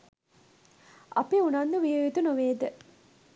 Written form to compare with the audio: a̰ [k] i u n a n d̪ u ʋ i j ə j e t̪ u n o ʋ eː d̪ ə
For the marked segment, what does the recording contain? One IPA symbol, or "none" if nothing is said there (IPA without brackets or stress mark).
p